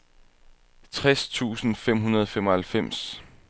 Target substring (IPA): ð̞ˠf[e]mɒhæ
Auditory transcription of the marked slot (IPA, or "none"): e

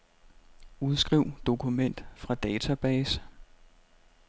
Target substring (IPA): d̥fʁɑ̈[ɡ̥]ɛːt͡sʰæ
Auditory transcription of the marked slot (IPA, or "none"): d̥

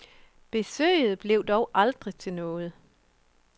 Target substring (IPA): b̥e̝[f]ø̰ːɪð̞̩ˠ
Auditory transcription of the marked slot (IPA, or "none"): s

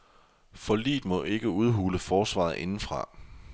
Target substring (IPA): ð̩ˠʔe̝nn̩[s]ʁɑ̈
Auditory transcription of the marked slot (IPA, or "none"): f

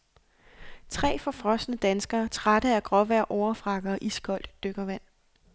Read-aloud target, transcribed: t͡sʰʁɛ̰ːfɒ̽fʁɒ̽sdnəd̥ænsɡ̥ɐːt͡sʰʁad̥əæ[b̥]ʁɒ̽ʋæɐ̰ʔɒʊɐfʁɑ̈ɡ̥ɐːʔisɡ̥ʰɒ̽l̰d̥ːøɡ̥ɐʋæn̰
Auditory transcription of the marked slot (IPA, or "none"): ɡ̥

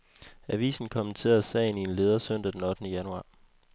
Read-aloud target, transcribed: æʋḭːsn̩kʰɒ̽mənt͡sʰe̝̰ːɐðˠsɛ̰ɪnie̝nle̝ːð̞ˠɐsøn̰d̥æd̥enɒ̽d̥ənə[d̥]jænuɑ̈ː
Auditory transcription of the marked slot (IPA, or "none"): none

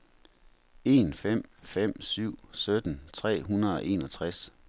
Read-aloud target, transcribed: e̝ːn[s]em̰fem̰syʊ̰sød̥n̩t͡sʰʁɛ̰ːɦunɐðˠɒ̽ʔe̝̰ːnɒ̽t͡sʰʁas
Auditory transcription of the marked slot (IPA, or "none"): f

